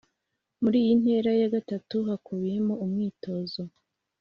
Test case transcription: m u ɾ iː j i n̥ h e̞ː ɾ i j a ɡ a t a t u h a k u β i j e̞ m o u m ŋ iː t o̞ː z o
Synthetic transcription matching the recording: m u ɾ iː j i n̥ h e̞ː ɾ a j a ɡ a t a t u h a k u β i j e̞ m o u m ŋ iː t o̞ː z o